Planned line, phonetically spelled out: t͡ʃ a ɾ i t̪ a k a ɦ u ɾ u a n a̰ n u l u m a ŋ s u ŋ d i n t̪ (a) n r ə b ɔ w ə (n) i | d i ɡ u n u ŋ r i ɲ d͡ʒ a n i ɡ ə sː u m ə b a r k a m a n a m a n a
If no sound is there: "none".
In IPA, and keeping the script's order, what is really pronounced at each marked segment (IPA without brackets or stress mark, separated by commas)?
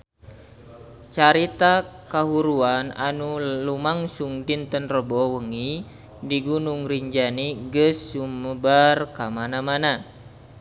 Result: ə, ŋ